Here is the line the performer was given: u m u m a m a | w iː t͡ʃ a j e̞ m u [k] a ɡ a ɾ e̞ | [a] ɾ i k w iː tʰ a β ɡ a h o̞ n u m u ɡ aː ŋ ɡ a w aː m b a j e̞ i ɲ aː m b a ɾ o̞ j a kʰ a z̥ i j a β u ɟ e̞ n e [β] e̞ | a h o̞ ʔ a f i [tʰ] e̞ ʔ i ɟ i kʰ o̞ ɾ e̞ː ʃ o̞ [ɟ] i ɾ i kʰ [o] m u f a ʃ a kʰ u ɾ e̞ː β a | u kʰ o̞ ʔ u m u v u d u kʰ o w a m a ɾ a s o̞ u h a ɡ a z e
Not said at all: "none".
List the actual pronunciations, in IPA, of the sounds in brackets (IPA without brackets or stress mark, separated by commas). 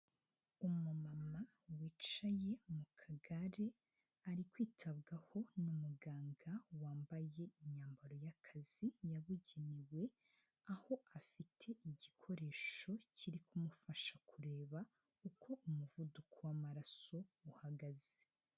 kʰ, a, w, tʰ, c, u